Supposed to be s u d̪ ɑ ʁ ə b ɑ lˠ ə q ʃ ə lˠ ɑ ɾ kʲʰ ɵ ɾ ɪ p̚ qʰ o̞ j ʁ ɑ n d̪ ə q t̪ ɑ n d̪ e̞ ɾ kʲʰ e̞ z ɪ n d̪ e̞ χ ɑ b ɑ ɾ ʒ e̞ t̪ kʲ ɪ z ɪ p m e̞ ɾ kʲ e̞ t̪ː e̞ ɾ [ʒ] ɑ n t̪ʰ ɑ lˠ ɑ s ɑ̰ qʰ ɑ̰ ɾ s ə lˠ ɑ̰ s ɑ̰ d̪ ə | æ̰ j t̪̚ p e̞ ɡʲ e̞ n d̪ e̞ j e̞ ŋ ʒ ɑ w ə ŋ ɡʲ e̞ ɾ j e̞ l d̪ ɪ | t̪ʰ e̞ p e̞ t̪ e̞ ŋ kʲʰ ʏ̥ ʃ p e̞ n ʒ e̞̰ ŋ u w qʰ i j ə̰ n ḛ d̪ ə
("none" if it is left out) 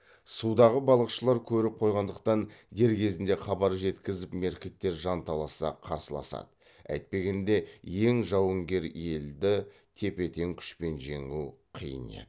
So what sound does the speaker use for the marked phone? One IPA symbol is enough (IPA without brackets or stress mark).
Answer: ʒ